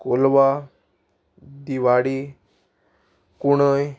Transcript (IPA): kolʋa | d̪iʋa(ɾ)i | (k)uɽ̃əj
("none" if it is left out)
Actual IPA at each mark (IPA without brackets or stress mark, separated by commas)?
ɽ, k